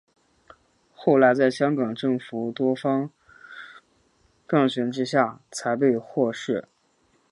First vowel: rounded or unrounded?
rounded